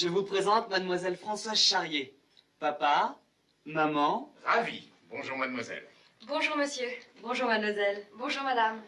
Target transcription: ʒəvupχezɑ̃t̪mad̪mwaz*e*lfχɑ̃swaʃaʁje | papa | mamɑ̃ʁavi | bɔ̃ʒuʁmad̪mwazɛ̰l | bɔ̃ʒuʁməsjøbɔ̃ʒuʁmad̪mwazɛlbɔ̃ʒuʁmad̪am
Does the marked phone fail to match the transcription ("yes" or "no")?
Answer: yes